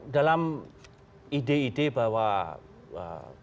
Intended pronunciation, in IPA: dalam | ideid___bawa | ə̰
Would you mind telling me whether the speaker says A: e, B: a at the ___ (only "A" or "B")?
A